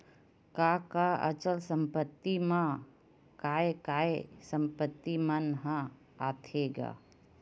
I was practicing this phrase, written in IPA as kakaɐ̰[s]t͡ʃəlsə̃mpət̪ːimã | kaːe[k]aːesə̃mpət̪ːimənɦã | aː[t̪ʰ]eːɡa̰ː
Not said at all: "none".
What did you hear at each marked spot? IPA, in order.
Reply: none, k, t̪ʰ

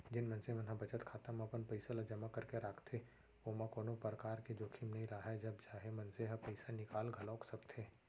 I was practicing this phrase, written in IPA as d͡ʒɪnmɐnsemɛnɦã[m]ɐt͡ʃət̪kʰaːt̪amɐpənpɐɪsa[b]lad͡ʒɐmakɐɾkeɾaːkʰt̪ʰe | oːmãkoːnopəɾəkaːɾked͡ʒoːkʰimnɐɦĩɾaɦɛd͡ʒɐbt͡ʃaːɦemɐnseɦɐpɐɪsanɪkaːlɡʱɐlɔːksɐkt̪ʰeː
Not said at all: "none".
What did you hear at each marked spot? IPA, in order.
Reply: b, none

